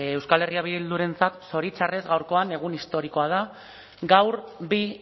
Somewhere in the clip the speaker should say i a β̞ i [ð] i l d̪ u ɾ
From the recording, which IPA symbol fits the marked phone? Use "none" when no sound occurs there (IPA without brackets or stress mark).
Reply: ð